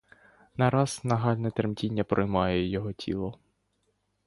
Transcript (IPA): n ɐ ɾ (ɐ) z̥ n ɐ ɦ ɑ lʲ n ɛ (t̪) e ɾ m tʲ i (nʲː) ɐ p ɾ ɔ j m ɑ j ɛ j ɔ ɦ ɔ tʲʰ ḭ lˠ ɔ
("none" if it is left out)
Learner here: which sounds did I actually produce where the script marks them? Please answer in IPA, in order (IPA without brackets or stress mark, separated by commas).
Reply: ɑ, t̪, nʲː